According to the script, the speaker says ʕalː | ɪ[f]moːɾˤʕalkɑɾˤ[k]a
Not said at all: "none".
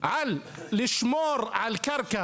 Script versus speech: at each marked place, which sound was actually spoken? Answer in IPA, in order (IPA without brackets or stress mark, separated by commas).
ʃ, k